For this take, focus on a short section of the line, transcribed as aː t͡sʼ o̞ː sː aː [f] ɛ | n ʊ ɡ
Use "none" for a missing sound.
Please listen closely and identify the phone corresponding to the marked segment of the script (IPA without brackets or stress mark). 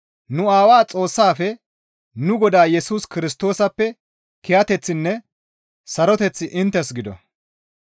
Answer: f